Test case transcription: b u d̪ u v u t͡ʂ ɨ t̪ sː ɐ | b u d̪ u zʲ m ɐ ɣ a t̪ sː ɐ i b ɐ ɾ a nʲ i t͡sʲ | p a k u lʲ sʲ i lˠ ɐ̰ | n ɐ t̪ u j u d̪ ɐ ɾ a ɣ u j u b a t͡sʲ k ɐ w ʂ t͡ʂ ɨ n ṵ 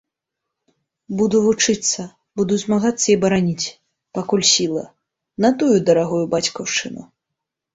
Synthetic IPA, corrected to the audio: b u d̪ u v u t͡ʂ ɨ t̪ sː ɐ | b u d̪ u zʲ m a ɣ a t̪ sː ɐ i b ɐ ɾ a nʲ i t͡sʲ | p a k u lʲ sʲ i lˠ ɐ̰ | n ɐ t̪ u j u d̪ ɐ ɾ a ɣ u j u b a t͡sʲ k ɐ w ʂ t͡ʂ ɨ n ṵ